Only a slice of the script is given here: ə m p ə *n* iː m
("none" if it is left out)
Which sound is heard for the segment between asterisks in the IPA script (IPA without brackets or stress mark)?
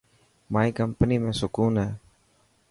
n